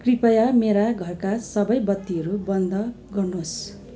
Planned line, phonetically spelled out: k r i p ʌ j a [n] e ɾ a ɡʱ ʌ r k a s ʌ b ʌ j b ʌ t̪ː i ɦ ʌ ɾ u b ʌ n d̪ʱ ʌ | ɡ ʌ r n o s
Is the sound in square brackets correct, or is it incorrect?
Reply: incorrect